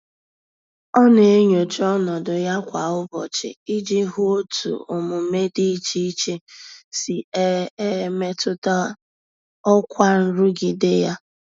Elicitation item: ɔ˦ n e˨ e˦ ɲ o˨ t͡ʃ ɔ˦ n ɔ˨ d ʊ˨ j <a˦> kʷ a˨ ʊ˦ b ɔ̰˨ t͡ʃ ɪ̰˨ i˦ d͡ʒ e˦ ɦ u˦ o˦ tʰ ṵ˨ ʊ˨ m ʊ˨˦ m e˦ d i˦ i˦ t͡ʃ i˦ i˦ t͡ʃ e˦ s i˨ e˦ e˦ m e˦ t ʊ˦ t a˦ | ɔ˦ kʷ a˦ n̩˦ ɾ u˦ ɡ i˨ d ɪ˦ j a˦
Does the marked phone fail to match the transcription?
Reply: no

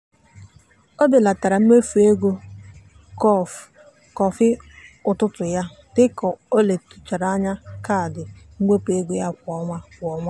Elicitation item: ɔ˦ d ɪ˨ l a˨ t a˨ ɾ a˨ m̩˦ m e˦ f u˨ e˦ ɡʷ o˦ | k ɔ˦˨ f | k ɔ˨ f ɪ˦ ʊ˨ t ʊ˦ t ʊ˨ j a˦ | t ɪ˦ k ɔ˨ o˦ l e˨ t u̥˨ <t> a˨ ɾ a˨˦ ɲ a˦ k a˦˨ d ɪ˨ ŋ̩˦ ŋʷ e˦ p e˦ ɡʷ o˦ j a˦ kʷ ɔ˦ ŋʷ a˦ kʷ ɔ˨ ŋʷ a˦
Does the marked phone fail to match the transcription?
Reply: yes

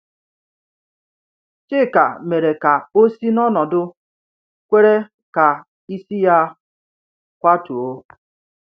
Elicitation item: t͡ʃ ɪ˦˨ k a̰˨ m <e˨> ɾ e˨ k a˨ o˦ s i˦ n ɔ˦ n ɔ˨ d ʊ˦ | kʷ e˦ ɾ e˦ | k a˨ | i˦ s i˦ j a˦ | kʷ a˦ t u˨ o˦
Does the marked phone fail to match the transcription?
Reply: no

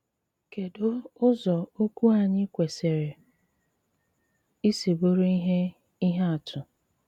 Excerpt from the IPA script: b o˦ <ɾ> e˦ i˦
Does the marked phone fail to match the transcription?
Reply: no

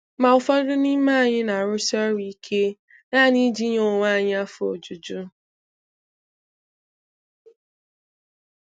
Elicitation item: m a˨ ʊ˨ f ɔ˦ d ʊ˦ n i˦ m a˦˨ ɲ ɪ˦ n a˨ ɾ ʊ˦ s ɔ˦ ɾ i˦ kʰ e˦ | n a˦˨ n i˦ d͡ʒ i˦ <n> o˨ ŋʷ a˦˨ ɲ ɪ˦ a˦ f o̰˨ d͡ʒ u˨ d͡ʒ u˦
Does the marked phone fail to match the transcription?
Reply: yes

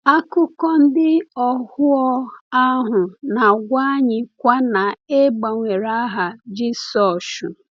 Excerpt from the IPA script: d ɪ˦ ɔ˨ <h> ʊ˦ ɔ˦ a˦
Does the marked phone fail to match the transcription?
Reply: no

